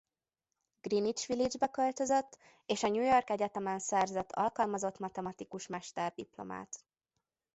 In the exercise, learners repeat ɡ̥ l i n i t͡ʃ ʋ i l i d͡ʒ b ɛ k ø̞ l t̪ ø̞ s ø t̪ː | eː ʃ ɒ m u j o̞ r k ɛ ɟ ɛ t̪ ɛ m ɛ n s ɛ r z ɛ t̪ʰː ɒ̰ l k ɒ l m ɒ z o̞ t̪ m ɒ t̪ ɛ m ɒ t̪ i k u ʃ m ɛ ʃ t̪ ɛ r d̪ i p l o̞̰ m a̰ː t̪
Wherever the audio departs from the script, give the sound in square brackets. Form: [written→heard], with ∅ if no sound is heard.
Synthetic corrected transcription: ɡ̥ [l→r] i n i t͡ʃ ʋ i l i d͡ʒ b ɛ k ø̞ l t̪ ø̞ [s→z] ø t̪ː | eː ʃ ɒ [m→ɲ] u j o̞ r k ɛ ɟ ɛ t̪ ɛ m ɛ n s ɛ r z ɛ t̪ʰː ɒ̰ l k ɒ l m ɒ z o̞ t̪ m ɒ t̪ ɛ m ɒ t̪ i k u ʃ m ɛ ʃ t̪ ɛ r d̪ i p l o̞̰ m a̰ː t̪